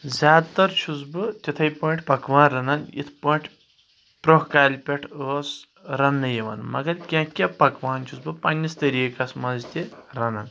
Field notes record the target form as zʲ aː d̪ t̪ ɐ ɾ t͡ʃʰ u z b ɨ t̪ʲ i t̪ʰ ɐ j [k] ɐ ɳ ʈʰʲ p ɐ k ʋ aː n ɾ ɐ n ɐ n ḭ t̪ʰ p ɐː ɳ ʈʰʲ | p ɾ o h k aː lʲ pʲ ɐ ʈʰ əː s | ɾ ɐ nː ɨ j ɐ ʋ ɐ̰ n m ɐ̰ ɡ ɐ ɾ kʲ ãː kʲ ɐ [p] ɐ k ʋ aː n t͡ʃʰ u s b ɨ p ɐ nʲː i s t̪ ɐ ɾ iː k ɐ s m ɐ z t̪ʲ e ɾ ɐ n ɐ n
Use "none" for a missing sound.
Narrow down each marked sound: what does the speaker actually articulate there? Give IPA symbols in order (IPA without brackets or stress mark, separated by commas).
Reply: p, p